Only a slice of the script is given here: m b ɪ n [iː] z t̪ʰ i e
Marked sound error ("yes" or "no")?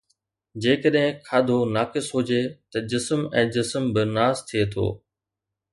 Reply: yes